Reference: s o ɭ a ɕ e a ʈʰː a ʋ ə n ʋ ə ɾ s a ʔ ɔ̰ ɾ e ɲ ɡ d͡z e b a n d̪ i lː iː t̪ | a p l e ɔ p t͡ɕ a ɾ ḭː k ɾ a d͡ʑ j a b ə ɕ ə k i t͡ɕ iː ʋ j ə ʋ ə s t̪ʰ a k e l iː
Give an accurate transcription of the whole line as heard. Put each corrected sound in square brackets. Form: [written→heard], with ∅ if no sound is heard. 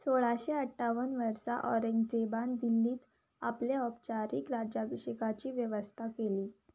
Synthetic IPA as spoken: s o ɭ a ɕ e [a→ə] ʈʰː a ʋ ə n ʋ ə ɾ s a ʔ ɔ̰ ɾ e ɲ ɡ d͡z e b a n d̪ i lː iː t̪ | a p l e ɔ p t͡ɕ a ɾ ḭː k ɾ a d͡ʑ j a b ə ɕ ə k [i→a] t͡ɕ iː ʋ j ə ʋ ə s t̪ʰ a k e l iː